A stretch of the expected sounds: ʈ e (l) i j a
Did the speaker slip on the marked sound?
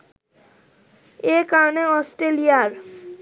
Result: no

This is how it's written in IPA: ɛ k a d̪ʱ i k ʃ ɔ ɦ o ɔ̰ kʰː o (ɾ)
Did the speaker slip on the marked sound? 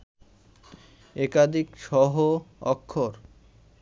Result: no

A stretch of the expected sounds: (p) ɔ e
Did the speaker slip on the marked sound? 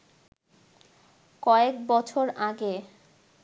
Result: yes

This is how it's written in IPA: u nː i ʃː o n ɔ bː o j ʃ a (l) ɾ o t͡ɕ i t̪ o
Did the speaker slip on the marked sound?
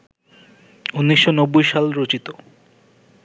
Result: no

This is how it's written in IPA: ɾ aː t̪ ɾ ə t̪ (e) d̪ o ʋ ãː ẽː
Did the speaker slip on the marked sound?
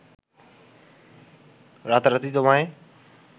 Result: yes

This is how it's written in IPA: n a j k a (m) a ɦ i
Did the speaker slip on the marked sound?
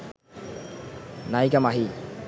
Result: no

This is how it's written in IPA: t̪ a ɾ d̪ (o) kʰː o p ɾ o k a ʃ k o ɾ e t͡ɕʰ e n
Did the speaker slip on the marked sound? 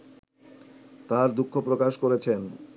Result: yes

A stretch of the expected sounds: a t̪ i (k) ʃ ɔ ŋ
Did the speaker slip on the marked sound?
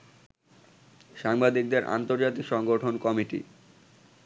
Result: no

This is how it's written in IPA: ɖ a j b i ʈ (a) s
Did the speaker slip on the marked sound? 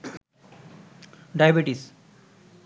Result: yes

